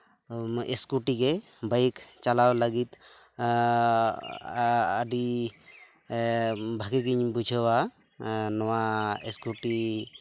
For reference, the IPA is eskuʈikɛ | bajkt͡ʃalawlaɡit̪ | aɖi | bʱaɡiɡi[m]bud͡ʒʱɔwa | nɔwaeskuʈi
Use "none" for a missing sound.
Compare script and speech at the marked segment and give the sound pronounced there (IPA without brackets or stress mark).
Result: ɲ